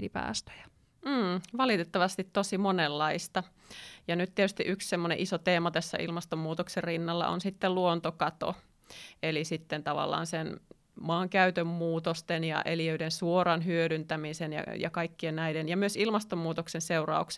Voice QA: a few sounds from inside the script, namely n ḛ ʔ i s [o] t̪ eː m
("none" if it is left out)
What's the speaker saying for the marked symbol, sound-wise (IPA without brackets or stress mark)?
o